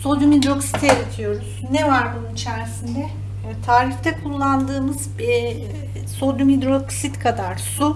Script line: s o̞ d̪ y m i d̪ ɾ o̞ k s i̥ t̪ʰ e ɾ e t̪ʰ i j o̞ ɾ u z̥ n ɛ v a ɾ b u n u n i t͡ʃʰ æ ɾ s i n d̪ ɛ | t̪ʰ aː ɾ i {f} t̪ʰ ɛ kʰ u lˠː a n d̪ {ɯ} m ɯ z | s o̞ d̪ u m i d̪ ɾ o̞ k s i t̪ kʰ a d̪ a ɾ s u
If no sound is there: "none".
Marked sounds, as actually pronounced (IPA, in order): f, ɯː

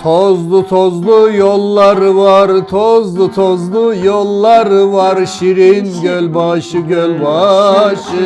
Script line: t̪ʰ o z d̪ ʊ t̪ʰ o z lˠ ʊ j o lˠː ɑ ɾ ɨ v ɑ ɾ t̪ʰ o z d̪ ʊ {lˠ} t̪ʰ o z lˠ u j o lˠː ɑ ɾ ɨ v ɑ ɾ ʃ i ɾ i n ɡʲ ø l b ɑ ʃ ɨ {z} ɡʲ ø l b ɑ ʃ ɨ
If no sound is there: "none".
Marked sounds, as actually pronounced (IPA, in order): none, none

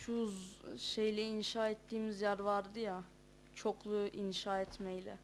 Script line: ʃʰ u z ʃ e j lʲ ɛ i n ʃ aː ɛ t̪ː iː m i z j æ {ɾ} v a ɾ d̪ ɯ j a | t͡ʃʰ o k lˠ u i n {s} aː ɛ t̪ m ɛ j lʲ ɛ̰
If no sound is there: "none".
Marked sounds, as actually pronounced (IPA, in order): ɾ, ʃ

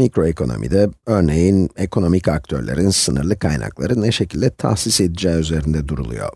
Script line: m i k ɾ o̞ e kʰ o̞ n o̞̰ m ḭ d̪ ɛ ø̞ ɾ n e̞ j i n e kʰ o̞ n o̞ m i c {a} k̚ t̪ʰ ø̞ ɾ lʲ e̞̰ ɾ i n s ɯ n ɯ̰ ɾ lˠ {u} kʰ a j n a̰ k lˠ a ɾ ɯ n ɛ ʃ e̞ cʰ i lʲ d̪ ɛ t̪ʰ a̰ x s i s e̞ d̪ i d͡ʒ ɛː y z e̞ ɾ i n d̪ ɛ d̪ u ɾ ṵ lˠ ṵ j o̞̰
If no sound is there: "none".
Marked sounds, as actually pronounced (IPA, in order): a, ɯ

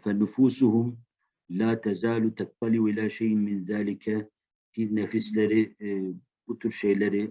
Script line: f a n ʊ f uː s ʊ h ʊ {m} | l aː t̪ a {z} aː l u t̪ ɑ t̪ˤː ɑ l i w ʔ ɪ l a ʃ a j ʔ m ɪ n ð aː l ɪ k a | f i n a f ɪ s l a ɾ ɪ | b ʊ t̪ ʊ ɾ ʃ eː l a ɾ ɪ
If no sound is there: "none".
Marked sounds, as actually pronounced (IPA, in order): m, z

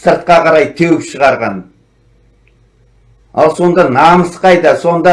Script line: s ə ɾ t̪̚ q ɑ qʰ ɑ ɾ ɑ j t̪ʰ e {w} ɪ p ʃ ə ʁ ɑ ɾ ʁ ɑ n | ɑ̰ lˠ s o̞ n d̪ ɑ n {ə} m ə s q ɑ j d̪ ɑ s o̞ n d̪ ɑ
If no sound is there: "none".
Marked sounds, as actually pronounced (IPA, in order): w, ɑ

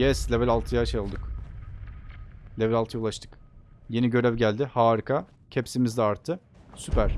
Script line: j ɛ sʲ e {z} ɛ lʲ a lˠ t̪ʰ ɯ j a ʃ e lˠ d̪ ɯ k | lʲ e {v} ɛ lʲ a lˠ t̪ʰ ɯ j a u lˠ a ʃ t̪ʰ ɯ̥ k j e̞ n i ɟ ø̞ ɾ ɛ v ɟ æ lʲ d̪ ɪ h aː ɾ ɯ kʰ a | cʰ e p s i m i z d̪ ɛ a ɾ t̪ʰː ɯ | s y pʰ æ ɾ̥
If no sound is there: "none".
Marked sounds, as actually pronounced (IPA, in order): v, v

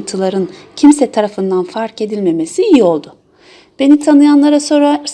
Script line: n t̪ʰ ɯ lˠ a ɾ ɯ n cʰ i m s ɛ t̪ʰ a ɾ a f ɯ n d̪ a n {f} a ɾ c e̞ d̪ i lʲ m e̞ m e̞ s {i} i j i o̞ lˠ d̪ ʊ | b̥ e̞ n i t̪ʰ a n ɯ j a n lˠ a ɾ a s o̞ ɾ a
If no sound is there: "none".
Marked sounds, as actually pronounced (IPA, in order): f, i

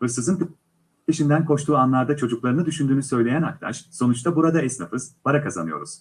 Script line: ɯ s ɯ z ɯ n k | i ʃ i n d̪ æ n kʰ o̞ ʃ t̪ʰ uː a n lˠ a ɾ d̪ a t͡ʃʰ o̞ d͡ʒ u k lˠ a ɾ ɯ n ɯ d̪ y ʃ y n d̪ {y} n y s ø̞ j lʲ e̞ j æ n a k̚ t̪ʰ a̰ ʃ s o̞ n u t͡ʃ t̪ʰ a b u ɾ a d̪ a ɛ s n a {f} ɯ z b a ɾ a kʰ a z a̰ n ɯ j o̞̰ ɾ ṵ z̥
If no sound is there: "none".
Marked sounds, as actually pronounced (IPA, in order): yː, f

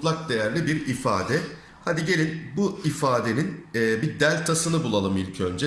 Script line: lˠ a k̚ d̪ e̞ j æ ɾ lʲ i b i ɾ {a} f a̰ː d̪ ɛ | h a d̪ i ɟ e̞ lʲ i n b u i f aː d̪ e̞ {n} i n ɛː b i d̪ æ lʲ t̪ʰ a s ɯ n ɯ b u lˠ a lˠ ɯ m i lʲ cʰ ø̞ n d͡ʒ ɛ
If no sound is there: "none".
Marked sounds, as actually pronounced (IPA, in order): i, n

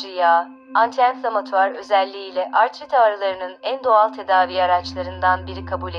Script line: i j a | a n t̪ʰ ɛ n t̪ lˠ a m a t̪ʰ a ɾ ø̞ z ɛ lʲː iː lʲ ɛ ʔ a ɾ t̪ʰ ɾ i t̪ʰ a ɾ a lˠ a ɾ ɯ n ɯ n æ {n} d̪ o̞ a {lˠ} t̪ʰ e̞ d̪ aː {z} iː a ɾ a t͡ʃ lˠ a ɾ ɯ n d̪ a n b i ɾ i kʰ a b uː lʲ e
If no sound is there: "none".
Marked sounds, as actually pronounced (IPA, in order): n, lˠ, v

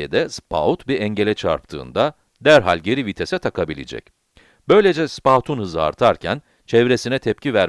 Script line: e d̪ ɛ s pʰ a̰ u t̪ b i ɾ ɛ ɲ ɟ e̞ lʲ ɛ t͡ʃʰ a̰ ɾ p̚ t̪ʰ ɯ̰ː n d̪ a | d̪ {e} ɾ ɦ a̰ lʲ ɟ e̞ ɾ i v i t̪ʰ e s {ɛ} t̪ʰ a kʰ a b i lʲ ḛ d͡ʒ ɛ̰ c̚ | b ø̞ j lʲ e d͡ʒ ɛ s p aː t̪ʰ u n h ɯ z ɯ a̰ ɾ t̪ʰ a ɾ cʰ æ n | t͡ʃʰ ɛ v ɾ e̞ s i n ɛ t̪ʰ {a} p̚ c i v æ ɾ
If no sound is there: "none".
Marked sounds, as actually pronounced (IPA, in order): æ, ɛ, ɛ

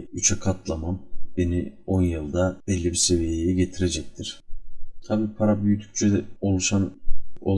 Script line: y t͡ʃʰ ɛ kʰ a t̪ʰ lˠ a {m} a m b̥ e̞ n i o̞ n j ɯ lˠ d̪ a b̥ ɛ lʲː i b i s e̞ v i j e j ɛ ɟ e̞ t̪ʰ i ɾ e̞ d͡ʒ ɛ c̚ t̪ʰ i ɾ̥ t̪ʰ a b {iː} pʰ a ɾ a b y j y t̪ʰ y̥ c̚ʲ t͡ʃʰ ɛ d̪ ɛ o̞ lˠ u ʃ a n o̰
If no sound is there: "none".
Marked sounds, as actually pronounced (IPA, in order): m, iː

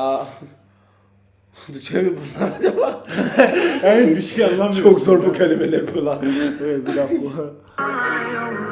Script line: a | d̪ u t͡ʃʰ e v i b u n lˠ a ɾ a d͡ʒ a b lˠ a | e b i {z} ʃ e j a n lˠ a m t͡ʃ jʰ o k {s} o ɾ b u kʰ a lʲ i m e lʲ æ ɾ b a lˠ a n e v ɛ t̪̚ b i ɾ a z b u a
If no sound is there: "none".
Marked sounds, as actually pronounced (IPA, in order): none, z

